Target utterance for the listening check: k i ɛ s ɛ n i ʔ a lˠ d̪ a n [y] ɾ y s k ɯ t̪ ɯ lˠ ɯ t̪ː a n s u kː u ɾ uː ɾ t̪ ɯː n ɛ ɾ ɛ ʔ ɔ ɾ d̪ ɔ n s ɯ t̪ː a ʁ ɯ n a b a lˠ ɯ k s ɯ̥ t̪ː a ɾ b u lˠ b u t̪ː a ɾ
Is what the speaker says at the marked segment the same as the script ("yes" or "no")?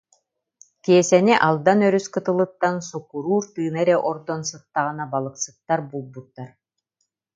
no